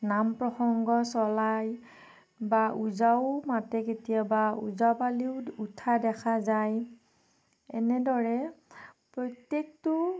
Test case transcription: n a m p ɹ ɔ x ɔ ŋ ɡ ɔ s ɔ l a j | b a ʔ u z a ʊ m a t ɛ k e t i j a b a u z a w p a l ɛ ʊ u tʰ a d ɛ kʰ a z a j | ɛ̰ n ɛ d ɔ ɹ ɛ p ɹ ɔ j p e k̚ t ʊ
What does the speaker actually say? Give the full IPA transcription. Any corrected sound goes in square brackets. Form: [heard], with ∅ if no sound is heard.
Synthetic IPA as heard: n a m p ɹ ɔ x ɔ ŋ ɡ ɔ s ɔ l a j | b a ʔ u z a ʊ m a t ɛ k e t i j a b a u z a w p a l [i] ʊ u tʰ a d ɛ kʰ a z a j | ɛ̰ n ɛ d ɔ ɹ ɛ p ɹ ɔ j [t] e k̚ t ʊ